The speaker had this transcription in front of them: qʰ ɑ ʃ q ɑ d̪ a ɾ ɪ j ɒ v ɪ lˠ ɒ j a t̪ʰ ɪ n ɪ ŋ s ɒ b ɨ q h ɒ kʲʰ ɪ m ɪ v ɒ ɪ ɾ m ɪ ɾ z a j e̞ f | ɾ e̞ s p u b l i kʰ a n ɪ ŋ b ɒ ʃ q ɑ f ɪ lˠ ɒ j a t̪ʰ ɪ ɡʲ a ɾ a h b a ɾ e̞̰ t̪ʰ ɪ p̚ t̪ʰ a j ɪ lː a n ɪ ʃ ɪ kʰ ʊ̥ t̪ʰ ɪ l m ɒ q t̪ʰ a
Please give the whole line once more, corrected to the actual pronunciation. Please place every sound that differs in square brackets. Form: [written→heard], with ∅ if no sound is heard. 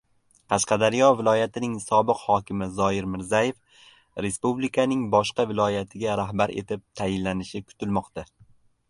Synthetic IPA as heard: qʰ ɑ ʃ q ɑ d̪ a ɾ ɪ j ɒ v ɪ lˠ ɒ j a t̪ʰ ɪ n ɪ ŋ s ɒ b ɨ q h ɒ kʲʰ ɪ m ɪ [v→z] ɒ ɪ ɾ m ɪ ɾ z a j e̞ f | ɾ e̞ s p u b l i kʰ a n ɪ ŋ b ɒ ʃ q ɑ [f→v] ɪ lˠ ɒ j a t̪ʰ ɪ ɡʲ a ɾ a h b a ɾ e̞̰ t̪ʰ ɪ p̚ t̪ʰ a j ɪ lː a n ɪ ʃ ɪ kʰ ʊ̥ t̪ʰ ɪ l m ɒ q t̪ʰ a